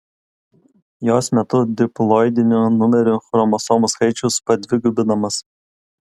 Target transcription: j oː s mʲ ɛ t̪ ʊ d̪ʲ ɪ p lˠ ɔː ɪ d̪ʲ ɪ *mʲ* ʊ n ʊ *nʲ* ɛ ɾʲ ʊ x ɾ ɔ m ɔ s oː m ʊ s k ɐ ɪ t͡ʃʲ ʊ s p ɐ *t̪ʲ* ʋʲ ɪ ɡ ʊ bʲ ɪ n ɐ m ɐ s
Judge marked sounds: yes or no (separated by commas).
no, no, no